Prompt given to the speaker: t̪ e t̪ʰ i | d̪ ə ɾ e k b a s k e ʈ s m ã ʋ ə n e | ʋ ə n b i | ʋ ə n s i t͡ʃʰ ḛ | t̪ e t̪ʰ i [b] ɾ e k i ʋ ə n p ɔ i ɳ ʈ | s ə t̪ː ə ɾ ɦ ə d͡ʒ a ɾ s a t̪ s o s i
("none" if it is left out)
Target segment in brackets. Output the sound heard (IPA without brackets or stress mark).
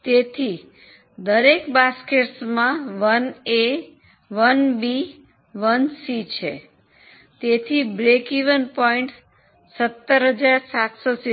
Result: b